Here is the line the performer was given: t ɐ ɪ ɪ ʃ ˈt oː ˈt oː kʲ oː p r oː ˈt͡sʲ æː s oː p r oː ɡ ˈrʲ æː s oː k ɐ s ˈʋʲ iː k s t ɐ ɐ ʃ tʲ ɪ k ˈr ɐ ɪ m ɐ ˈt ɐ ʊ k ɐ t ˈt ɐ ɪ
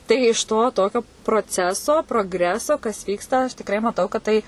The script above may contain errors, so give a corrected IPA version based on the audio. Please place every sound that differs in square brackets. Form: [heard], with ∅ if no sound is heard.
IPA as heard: t ɐ ɪ ɪ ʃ ˈt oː ˈt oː kʲ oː p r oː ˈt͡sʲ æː s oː p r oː ɡ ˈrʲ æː s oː k ɐ s ˈʋʲ iː k s t ɐ ɐ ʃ tʲ ɪ k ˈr ɐ ɪ m ɐ ˈt ɐ ʊ k ɐ t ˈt ɐ ɪ